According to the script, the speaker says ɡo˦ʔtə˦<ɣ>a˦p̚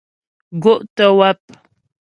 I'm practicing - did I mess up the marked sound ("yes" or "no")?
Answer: yes